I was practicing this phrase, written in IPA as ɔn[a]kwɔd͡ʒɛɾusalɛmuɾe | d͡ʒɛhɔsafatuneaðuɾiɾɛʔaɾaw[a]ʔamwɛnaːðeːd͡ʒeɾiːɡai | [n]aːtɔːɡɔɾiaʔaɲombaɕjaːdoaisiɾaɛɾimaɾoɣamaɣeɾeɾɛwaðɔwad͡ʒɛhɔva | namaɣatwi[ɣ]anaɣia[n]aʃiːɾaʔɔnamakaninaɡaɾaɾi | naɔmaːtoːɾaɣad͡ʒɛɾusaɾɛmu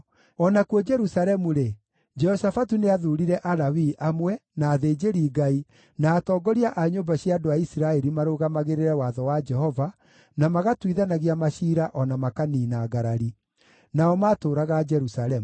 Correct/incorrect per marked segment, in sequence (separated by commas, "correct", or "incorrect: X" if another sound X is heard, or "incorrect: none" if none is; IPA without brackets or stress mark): correct, incorrect: i, correct, incorrect: ð, incorrect: m